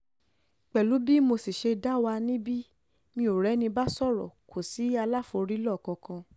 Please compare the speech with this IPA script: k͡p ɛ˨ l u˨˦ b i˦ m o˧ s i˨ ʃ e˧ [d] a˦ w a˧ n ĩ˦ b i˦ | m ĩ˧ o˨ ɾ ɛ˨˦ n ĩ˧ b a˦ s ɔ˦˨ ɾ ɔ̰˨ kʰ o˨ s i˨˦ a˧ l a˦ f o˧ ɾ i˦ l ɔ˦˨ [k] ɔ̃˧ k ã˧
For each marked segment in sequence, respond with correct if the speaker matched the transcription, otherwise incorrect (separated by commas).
correct, correct